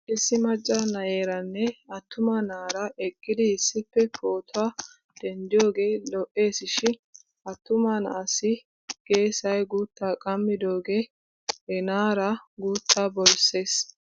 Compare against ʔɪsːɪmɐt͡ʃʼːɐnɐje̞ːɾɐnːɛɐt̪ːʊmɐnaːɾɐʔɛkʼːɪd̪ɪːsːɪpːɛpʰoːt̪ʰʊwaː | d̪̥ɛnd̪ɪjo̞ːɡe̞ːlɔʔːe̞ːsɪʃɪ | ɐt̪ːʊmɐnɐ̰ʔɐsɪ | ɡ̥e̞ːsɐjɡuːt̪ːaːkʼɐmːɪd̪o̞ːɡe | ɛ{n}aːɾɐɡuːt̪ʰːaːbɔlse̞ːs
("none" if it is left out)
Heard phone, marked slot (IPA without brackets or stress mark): n